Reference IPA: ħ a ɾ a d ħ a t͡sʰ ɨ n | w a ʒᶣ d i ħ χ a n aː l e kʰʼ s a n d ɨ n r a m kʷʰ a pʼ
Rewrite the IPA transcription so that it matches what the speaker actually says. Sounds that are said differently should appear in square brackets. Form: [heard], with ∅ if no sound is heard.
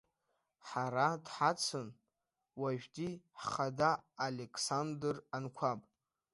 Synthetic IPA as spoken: ħ a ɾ a d ħ a t͡sʰ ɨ n | w a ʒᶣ d i ħ χ a [d] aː l e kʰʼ s a n d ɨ [∅] r a [n] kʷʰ a pʼ